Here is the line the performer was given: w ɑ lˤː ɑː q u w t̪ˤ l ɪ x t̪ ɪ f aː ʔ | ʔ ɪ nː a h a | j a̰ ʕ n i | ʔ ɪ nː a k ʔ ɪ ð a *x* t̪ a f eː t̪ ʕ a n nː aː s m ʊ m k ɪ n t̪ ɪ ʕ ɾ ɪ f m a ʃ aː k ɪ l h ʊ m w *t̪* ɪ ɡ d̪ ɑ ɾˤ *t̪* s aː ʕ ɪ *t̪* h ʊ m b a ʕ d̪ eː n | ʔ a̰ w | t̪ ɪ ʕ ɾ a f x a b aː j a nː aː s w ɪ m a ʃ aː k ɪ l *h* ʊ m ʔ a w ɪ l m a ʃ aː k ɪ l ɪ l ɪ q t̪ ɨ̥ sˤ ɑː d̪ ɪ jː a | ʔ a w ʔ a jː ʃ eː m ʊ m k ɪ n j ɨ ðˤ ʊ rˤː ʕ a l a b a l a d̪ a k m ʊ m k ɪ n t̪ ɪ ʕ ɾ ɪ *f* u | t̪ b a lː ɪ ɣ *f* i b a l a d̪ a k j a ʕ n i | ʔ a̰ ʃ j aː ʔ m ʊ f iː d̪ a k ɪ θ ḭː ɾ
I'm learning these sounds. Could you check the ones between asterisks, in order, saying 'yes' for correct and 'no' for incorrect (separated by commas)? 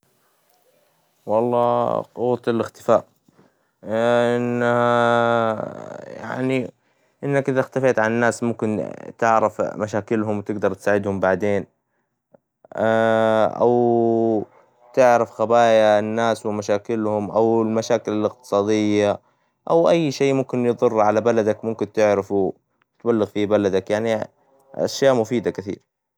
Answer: yes, yes, yes, no, yes, yes, yes